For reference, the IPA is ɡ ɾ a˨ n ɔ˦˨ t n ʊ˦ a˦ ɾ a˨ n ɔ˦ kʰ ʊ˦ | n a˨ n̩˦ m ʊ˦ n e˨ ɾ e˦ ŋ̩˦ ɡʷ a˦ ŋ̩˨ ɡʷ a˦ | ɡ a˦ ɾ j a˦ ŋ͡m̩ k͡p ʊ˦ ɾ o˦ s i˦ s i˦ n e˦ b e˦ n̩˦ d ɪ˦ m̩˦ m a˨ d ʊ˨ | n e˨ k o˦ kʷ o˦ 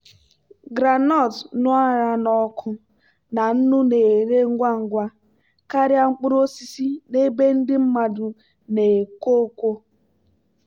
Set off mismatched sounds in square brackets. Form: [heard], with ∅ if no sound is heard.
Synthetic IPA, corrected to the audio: ɡ ɾ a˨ n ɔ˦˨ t n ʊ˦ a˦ ɾ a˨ n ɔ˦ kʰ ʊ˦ | n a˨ n̩˦ [n] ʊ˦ n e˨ ɾ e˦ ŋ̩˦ ɡʷ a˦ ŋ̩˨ ɡʷ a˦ | [k] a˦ ɾ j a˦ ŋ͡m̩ k͡p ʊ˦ ɾ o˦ s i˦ s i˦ n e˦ b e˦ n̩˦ d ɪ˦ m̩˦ m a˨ d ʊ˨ | n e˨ k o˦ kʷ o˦